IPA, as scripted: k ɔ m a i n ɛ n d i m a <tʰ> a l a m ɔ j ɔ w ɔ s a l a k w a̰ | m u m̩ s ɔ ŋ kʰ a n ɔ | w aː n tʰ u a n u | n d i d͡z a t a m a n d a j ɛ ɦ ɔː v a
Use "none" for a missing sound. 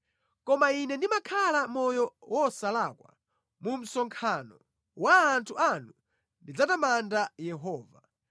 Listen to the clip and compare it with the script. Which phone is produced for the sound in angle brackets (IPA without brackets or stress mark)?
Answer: kʰ